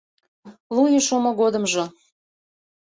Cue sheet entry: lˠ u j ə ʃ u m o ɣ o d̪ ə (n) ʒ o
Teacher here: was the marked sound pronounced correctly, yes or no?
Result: no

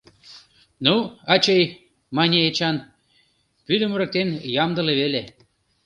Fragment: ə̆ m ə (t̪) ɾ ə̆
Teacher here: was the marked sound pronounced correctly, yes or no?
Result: no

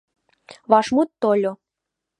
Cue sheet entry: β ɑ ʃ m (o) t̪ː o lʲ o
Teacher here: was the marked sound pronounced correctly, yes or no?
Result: no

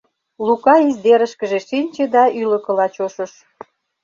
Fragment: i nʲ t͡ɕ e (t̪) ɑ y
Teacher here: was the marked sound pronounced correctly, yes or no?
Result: no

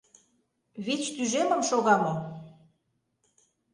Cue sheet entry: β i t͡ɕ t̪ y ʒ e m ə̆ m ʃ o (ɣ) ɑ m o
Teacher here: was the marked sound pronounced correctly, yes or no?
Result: yes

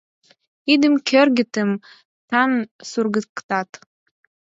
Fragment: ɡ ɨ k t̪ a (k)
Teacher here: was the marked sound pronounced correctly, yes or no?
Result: no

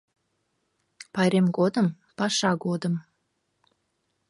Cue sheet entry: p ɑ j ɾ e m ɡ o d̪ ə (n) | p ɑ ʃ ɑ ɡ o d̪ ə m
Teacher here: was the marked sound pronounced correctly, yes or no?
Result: no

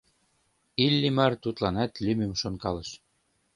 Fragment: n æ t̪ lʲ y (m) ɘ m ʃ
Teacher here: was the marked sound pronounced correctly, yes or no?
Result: yes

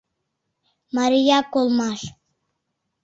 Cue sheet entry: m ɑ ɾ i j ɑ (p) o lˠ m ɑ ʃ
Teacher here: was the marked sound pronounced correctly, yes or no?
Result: no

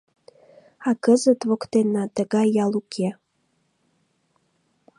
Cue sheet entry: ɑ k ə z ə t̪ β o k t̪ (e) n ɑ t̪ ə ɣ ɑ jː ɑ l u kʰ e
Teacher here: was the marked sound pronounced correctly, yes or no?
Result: yes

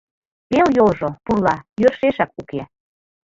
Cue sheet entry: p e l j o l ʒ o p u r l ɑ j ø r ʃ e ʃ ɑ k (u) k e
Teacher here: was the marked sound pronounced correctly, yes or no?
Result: yes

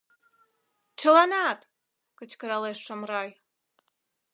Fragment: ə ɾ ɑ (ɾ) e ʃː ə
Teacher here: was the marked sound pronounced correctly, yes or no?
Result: no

